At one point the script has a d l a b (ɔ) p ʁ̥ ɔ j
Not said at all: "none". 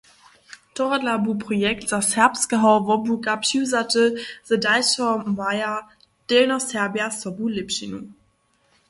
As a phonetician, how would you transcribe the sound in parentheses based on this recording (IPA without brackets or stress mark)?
u